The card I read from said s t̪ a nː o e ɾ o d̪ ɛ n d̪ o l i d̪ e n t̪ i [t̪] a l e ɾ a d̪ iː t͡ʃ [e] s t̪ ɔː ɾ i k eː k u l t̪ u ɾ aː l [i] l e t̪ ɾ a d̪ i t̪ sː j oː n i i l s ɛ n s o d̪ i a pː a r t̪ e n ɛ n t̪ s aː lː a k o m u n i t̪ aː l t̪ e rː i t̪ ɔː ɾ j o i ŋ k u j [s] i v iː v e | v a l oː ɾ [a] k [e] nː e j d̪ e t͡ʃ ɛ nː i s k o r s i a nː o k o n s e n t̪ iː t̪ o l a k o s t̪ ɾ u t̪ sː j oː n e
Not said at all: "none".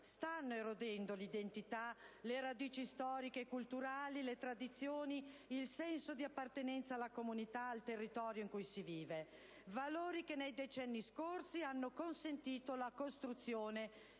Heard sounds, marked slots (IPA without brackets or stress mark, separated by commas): t̪, i, i, s, i, e